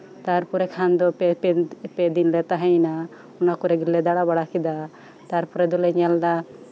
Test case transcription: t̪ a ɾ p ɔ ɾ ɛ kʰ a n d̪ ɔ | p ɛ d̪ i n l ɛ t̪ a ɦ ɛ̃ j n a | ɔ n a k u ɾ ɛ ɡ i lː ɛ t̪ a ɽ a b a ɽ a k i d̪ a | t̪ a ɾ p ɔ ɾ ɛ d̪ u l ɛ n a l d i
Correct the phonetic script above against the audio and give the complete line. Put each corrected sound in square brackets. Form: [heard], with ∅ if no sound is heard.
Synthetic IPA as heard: t̪ a ɾ p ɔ ɾ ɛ kʰ a n d̪ ɔ | p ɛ d̪ i n l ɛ t̪ a ɦ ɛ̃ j n a | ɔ n a k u ɾ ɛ ɡ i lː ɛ [d̪] a ɽ a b a ɽ a k i d̪ a | t̪ a ɾ p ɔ ɾ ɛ d̪ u l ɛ [ɲ] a l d [a]

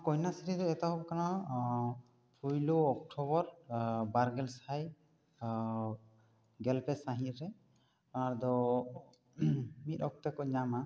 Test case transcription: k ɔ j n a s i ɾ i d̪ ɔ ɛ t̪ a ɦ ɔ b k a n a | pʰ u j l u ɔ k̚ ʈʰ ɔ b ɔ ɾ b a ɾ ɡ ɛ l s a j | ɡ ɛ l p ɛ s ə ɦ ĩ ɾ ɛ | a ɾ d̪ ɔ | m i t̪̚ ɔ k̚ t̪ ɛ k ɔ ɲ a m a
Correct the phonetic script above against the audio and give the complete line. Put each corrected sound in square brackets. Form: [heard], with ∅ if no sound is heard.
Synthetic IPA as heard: k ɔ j n a s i ɾ i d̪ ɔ ɛ t̪ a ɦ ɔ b k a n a | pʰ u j l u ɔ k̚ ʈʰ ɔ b ɔ ɾ b a ɾ ɡ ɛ l s a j | ɡ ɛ l p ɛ s [a] ɦ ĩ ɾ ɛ | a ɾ d̪ ɔ | m i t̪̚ ɔ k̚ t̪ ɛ k ɔ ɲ a m a

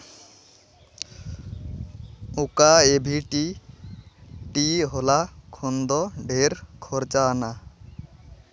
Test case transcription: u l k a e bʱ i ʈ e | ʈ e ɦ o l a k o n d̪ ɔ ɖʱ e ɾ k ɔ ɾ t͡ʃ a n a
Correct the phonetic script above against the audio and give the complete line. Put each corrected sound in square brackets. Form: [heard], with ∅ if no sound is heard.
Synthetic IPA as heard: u [∅] k a e bʱ i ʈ [i] | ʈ [i] ɦ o l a [kʰ] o n d̪ ɔ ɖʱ e ɾ [kʰ] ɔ ɾ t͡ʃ a n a

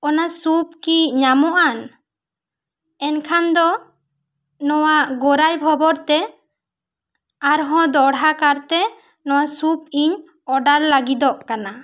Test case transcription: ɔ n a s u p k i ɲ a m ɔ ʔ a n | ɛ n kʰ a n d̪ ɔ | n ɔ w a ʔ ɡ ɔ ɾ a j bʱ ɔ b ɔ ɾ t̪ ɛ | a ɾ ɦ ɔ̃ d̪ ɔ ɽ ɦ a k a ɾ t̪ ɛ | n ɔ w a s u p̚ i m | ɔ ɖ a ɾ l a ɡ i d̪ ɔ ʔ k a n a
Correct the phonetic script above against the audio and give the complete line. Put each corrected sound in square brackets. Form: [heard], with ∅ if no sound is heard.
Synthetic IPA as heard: ɔ n a s u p k i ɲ a m ɔ ʔ a n | ɛ n kʰ a n d̪ ɔ | n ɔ w a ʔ ɡ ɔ ɾ a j bʱ ɔ b ɔ ɾ t̪ ɛ | a ɾ ɦ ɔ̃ d̪ ɔ ɽ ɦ a k a ɾ t̪ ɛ | n ɔ w a s u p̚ i [ɲ] | ɔ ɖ a ɾ l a ɡ i d̪ ɔ ʔ k a n a

